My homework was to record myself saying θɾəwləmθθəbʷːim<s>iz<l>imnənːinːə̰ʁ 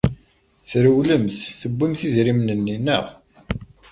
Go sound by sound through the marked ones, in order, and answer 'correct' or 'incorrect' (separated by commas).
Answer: incorrect, incorrect